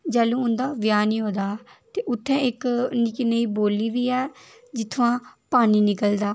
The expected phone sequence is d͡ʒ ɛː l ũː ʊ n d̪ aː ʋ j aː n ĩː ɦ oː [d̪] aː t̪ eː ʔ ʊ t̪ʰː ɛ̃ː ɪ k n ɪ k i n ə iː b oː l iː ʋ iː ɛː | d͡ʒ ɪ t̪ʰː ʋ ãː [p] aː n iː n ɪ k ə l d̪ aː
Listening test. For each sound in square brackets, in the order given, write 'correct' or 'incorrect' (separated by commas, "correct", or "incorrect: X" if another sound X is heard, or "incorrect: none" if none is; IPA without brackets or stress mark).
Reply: correct, correct